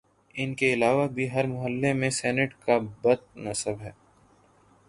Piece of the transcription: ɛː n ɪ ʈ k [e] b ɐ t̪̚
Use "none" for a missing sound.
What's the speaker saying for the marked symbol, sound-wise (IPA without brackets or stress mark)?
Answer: a